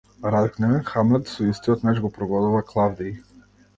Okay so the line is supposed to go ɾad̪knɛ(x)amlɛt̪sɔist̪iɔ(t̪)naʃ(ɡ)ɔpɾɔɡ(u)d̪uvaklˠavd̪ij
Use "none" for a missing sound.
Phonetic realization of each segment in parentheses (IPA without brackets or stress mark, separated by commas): x, t̪, ɡ, ɔ